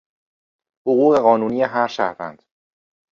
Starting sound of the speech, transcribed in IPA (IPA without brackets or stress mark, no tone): h